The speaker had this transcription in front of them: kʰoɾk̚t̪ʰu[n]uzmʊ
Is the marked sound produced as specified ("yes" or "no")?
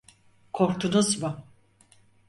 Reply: yes